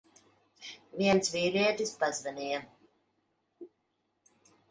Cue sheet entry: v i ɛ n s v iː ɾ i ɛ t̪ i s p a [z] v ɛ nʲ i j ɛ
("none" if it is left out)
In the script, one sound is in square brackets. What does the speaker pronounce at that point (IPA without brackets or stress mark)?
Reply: z